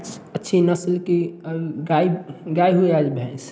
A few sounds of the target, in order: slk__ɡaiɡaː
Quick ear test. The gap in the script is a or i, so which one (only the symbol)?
i